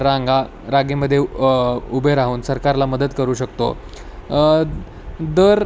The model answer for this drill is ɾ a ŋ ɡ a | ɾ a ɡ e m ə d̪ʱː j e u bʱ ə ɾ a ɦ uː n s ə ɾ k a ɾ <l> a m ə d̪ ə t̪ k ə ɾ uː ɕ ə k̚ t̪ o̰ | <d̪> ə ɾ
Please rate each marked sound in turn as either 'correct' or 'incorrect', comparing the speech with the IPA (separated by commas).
correct, correct